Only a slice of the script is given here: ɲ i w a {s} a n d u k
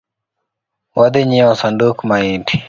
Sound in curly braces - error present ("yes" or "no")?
no